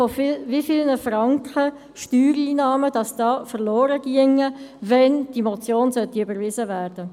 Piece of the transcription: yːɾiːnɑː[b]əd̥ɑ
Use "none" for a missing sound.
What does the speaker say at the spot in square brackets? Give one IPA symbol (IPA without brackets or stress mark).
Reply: m